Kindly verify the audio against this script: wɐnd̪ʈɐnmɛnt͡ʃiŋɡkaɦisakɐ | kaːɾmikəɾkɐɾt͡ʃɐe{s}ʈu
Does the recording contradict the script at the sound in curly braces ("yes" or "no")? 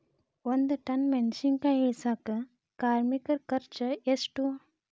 no